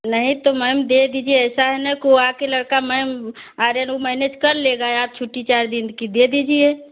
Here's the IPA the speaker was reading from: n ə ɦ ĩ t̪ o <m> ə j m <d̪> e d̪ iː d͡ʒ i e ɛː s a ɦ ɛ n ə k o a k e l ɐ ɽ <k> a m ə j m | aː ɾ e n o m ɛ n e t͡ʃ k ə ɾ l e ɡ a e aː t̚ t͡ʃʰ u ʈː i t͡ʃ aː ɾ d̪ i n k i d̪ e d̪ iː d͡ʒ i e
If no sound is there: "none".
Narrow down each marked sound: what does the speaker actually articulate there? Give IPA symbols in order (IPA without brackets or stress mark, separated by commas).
m, d̪, k